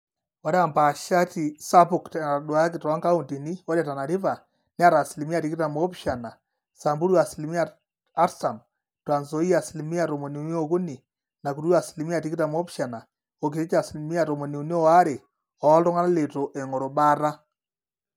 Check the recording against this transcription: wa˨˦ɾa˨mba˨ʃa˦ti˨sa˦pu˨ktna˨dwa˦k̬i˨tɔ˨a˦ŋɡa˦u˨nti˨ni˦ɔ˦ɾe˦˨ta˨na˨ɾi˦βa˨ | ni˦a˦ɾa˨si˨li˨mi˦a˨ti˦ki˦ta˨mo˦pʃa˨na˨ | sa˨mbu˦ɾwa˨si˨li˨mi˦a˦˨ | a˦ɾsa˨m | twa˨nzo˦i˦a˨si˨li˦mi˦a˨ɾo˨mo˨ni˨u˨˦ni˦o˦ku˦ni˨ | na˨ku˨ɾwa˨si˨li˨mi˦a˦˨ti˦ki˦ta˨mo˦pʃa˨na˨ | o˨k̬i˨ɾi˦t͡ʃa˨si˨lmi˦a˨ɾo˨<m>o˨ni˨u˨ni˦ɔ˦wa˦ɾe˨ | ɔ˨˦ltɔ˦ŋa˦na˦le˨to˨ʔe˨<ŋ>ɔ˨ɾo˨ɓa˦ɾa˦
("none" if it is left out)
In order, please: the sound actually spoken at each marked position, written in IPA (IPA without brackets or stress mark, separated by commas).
m, ŋ